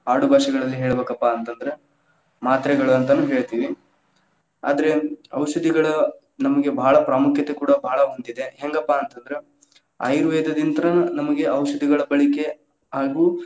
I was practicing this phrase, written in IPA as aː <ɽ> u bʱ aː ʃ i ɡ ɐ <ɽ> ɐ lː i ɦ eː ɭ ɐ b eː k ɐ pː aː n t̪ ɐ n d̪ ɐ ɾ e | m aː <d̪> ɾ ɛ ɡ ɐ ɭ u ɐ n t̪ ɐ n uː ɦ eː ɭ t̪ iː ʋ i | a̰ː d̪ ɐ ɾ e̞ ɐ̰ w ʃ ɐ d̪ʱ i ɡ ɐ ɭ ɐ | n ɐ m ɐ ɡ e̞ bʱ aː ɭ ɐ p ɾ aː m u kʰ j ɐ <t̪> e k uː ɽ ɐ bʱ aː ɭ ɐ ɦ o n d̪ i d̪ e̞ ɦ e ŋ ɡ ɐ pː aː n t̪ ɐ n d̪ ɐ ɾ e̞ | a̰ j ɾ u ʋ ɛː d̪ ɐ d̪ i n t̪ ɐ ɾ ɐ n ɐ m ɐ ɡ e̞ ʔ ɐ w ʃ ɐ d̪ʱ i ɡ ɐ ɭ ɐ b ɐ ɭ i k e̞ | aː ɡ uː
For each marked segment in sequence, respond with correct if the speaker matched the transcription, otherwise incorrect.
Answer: correct, incorrect: ɭ, incorrect: t̪, correct

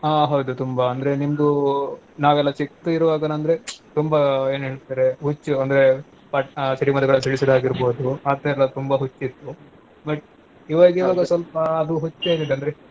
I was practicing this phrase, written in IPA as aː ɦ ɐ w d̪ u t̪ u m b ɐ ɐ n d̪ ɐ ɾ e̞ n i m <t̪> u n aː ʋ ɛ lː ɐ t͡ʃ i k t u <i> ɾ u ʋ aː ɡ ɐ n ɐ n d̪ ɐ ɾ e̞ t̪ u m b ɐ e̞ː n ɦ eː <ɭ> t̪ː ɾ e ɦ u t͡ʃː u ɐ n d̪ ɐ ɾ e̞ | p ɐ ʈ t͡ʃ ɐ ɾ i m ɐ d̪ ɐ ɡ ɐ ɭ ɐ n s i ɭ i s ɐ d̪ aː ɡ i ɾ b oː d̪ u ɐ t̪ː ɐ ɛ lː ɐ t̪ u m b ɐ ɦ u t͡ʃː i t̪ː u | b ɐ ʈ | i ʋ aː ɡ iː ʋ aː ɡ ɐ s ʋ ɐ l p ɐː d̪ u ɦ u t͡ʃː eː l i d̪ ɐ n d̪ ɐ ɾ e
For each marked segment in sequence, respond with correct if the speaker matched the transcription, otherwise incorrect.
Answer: incorrect: d̪, correct, correct

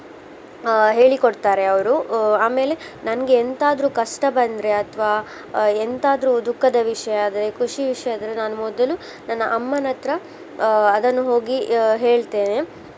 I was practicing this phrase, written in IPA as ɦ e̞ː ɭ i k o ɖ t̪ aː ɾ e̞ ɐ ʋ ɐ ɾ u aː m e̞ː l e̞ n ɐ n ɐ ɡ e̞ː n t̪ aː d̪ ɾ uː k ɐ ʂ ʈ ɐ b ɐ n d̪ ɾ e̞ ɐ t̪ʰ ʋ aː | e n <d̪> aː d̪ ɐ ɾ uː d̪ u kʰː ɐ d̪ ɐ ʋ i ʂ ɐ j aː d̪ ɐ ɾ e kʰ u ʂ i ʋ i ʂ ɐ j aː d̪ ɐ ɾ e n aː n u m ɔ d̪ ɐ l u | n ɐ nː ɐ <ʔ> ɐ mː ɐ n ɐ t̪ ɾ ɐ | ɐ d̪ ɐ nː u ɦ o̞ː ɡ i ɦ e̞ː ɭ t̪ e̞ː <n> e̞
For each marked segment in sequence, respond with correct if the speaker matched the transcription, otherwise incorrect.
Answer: incorrect: t̪, correct, correct

